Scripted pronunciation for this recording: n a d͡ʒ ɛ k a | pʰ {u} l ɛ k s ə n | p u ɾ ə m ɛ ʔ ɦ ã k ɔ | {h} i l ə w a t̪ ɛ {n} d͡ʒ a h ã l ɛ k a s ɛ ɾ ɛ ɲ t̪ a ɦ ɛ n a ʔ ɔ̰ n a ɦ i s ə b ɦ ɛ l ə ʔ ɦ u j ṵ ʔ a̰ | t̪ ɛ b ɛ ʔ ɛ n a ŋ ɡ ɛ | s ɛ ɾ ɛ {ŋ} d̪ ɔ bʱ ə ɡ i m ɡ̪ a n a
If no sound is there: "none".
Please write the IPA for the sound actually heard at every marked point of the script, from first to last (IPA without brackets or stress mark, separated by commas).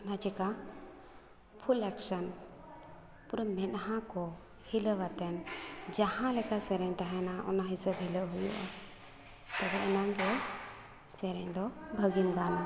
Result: u, h, n, ɲ